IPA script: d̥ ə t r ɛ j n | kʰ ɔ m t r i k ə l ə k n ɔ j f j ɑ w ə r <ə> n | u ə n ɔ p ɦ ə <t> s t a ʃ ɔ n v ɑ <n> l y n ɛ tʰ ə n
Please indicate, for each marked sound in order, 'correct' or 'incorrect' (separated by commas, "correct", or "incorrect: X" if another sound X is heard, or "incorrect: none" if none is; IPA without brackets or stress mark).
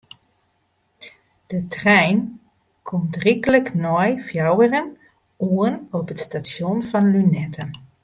correct, correct, correct